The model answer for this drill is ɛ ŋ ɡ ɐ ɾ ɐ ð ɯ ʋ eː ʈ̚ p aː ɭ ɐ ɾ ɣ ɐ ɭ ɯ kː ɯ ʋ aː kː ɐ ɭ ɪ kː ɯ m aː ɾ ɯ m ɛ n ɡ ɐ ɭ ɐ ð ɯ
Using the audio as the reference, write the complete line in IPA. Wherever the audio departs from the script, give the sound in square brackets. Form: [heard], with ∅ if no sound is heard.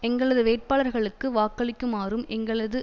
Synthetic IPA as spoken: ɛ ŋ ɡ ɐ [ɭ] ɐ ð ɯ ʋ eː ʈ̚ p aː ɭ ɐ ɾ ɣ ɐ ɭ ɯ kː ɯ ʋ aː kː ɐ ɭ ɪ kː ɯ m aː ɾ ɯ m ɛ [ŋ] ɡ ɐ ɭ ɐ ð ɯ